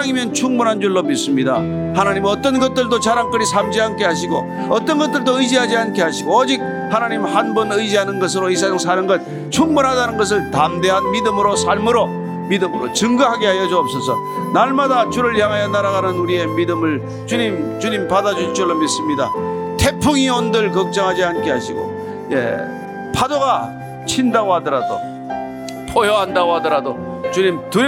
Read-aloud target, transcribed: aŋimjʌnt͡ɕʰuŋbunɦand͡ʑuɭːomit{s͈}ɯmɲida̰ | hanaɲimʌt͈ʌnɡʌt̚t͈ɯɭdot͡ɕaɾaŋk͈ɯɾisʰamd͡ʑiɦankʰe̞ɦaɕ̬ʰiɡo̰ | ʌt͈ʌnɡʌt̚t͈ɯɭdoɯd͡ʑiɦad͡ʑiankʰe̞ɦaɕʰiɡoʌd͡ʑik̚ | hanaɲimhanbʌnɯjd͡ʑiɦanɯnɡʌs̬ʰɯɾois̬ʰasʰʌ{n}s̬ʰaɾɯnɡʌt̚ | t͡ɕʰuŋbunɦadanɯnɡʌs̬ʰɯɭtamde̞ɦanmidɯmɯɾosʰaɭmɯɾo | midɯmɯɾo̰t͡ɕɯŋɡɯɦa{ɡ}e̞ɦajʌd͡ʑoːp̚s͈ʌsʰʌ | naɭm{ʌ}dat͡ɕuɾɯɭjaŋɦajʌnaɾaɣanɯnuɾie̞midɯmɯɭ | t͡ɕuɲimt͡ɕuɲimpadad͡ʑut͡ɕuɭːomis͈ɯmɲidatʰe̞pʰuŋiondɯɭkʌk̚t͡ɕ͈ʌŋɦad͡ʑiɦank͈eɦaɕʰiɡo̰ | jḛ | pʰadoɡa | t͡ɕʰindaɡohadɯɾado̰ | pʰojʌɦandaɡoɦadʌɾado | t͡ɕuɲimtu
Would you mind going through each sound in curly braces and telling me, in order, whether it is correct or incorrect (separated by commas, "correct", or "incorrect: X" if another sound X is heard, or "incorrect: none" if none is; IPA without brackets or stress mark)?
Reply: correct, incorrect: ŋ, correct, incorrect: a